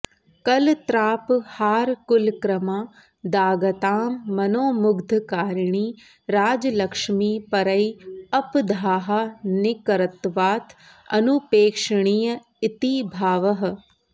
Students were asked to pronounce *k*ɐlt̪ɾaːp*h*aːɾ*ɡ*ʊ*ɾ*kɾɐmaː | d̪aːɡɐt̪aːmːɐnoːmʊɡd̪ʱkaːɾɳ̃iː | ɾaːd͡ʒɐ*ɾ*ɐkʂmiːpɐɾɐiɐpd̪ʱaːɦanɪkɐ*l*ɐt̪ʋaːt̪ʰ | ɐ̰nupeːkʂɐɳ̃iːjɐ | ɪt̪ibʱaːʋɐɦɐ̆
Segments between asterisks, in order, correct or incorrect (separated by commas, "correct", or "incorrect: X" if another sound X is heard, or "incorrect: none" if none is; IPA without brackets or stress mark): correct, correct, incorrect: k, incorrect: l, incorrect: l, incorrect: ɾ